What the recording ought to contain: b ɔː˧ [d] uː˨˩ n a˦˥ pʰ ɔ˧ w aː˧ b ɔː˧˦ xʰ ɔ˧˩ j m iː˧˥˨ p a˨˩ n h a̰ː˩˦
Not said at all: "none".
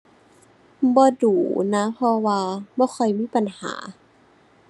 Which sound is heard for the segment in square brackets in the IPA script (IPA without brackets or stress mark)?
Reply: d